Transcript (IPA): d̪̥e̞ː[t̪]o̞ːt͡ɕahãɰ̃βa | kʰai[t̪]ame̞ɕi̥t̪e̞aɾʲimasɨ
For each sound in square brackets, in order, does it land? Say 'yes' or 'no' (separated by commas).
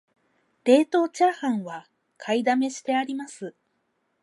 yes, no